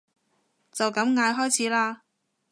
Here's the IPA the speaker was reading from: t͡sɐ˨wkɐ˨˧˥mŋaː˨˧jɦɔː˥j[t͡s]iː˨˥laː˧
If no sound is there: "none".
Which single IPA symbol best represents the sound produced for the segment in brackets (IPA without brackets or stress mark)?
t͡sʰ